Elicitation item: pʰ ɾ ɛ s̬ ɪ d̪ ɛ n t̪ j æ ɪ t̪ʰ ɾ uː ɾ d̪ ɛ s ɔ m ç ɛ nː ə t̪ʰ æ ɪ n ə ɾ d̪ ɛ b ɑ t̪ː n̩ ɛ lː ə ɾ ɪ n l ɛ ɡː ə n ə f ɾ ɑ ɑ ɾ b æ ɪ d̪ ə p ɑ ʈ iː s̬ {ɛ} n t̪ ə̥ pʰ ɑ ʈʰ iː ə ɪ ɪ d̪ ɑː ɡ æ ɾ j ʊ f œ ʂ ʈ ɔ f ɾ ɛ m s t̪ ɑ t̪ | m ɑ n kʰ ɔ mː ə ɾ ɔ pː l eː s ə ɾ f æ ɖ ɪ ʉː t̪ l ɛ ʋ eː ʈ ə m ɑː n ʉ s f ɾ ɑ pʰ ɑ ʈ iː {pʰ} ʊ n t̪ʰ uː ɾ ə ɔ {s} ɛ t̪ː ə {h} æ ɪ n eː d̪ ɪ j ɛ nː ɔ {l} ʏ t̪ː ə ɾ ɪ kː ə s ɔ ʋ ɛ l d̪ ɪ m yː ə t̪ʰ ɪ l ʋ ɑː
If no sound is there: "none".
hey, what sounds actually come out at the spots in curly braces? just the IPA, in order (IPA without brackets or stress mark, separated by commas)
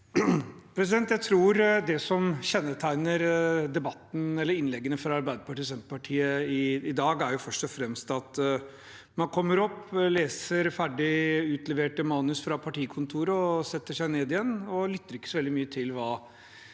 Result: ɛ, kʰ, s, ʂ, l